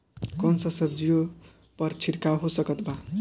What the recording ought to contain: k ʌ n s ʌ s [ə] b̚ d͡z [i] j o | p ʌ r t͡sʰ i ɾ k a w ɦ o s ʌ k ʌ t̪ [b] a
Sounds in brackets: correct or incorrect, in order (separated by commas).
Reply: incorrect, correct, correct